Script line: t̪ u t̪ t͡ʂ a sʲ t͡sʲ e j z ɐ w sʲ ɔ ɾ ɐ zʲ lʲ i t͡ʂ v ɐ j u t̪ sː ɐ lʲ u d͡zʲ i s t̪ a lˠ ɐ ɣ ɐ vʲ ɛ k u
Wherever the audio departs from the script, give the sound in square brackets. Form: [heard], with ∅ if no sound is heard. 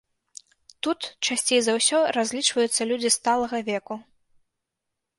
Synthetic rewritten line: t̪ u t̪ t͡ʂ a sʲ t͡sʲ e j z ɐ w sʲ ɔ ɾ [a] zʲ lʲ i t͡ʂ v ɐ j u t̪ sː ɐ lʲ u d͡zʲ i s t̪ a lˠ ɐ ɣ ɐ vʲ ɛ k u